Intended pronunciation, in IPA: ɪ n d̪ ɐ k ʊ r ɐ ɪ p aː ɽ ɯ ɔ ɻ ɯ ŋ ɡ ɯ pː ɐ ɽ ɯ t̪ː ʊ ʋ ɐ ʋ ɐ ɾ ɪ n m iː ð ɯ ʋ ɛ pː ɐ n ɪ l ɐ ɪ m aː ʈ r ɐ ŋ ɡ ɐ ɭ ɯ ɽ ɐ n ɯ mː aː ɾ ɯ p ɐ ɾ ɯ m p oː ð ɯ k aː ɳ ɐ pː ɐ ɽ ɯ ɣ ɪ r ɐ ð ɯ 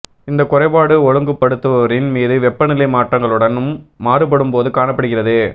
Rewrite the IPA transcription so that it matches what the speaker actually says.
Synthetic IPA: ɪ n d̪ ɐ k ʊ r ɐ ɪ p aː ɽ ɯ ɔ ɻ ɯ ŋ ɡ ɯ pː ɐ ɽ ɯ t̪ː ɯ ʋ ɐ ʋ ɐ ɾ ɪ n m iː ð ɯ ʋ ɛ pː ɐ n ɪ l ɐ ɪ m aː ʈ r ɐ ŋ ɡ ɐ ɭ ɯ ɽ ɐ n ɯ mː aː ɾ ɯ p ɐ ɽ ɯ m p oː ð ɯ k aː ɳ ɐ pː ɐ ɽ ɯ ɣ ɪ r ɐ ð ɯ